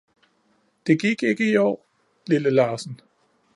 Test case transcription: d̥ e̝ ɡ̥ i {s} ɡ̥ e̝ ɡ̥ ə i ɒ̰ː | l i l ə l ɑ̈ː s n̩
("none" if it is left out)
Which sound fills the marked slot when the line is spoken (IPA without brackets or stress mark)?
none